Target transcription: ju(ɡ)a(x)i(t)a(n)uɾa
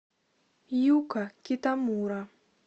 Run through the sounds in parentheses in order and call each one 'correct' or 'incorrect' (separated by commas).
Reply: incorrect, incorrect, correct, incorrect